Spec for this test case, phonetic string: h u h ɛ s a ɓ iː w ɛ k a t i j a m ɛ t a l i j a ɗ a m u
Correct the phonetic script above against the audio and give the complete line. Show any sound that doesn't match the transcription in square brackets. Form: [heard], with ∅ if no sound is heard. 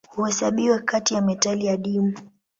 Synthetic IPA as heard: h u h ɛ s a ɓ [i] w ɛ k a t i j a m ɛ t a l i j a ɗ [i] m u